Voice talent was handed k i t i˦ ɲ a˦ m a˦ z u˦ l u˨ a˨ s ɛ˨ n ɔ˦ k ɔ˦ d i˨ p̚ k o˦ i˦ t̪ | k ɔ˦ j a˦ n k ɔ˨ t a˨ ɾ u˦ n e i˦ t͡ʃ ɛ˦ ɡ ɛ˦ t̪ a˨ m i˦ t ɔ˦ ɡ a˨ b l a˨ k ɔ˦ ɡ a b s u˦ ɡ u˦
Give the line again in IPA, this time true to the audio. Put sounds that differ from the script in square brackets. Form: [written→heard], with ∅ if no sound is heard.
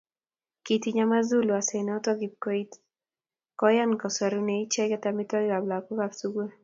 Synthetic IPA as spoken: k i t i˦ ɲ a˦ m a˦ z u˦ l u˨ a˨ s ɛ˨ n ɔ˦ [k→t] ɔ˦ [d→ɡ] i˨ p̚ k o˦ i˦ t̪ | k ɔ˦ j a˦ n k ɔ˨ [t→s] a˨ ɾ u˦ n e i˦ t͡ʃ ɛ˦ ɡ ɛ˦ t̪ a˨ m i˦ t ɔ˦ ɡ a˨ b l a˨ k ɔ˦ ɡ a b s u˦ ɡ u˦